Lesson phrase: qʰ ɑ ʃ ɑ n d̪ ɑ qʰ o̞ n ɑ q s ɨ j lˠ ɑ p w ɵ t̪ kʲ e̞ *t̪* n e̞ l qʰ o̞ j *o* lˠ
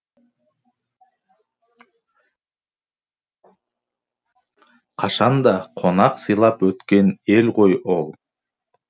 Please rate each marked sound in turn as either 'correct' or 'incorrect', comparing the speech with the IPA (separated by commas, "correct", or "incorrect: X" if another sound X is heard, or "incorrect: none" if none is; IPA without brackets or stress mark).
incorrect: none, correct